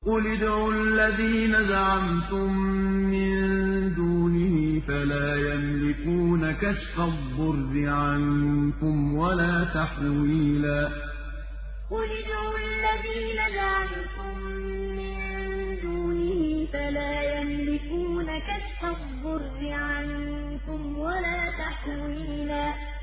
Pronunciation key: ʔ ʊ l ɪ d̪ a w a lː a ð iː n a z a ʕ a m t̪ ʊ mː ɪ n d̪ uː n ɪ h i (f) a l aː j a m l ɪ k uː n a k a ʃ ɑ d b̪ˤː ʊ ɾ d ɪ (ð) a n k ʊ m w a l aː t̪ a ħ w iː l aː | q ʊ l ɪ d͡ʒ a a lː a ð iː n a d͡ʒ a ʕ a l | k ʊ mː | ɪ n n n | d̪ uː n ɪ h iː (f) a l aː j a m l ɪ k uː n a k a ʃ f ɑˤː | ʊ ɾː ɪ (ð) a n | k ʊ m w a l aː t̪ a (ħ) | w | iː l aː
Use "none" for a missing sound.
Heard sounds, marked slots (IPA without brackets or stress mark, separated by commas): f, ʕ, f, ʕ, ħ